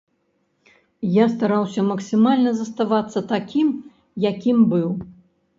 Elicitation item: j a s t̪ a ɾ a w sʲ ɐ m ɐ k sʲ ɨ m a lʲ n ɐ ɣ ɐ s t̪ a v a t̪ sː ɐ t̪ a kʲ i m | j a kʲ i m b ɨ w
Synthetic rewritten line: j a s t̪ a ɾ a w sʲ ɐ m ɐ k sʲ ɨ m a lʲ n ɐ z ɐ s t̪ a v a t̪ sː ɐ t̪ a kʲ i m | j a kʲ i m b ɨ w